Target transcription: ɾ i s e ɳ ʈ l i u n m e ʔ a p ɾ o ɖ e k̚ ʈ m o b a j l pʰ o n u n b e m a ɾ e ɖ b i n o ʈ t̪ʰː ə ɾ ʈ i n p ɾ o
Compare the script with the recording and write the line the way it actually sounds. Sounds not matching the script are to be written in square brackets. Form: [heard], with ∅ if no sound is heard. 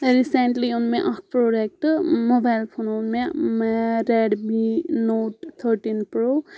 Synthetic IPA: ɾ i s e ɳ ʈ l i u n m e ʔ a p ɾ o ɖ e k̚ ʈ m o b a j l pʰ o n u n [m] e m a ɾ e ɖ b i n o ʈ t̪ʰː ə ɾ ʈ i n p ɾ o